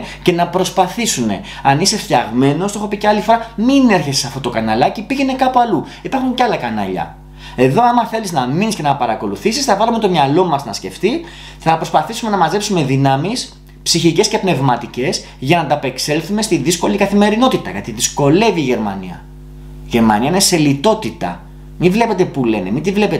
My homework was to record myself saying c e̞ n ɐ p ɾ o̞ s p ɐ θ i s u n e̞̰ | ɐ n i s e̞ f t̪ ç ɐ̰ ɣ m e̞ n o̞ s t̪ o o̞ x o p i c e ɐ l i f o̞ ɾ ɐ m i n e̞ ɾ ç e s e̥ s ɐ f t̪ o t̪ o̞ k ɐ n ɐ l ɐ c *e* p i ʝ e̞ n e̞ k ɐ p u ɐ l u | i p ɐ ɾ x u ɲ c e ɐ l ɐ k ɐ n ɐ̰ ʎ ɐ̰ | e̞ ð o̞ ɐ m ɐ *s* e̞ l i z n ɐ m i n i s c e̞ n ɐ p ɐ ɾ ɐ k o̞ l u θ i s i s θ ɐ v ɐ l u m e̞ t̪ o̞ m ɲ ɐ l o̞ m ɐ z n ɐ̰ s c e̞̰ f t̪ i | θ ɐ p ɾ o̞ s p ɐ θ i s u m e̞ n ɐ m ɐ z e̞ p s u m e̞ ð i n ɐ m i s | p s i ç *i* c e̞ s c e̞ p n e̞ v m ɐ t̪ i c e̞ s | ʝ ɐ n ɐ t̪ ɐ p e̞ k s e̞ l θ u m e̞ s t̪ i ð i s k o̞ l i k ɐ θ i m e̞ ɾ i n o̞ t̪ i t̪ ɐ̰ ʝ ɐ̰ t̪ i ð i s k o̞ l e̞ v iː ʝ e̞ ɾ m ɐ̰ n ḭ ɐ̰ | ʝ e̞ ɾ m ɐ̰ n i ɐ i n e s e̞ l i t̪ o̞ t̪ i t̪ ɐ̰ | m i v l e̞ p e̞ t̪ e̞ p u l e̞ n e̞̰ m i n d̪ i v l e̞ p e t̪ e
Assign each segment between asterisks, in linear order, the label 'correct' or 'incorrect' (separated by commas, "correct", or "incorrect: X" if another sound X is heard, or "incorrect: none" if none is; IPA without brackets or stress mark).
incorrect: i, incorrect: θ, correct